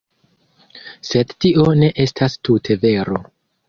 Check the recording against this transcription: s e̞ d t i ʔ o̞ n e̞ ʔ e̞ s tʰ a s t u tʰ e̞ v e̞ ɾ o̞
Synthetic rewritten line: s e̞ d t i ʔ o̞ n e̞ ʔ e̞ s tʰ a s t u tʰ e̞ v e̞ ɾ o̞